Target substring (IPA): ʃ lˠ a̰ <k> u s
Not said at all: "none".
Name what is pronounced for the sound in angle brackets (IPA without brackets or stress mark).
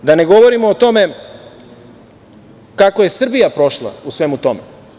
none